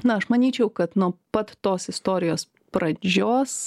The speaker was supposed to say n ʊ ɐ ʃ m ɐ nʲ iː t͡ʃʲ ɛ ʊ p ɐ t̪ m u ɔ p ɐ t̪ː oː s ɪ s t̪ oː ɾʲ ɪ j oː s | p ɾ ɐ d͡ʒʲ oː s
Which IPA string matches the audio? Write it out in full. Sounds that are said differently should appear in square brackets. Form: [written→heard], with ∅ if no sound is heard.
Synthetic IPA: n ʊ ɐ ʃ m ɐ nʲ iː t͡ʃʲ ɛ ʊ [p→k] ɐ t̪ [m→n] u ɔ p ɐ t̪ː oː s ɪ s t̪ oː ɾʲ ɪ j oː s | p ɾ ɐ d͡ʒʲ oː s